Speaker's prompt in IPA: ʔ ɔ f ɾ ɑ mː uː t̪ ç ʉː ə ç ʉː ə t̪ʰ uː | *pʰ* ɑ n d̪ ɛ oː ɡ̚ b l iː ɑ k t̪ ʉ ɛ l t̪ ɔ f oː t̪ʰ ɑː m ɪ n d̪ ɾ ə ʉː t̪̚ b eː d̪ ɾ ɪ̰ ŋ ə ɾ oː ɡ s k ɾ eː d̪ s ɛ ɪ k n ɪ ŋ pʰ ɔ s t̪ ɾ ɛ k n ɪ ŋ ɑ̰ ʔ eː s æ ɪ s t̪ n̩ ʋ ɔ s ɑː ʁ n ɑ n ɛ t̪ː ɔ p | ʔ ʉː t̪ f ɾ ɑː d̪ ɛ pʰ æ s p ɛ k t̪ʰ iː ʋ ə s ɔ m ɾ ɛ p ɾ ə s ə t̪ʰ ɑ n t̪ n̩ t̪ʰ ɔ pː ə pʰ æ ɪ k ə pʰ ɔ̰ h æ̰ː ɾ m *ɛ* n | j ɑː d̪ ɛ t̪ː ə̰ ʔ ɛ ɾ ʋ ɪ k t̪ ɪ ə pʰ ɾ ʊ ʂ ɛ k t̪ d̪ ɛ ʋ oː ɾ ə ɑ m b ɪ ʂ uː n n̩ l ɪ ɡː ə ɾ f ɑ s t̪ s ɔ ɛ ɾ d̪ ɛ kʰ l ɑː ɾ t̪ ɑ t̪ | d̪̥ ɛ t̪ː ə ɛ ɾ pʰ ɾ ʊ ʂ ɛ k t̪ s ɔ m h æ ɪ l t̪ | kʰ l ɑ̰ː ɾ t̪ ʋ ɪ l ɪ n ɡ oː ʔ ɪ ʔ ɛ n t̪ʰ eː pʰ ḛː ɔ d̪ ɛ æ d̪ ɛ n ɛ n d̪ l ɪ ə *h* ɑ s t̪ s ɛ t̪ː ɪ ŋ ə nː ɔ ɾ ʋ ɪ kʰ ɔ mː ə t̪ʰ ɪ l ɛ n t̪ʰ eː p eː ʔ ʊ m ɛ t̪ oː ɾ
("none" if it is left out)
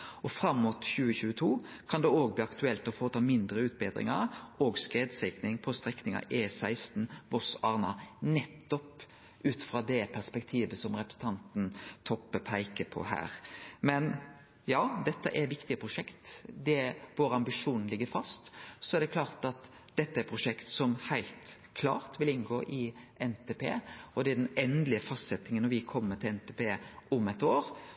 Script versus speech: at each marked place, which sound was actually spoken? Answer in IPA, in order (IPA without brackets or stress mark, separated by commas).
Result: kʰ, ɛ, f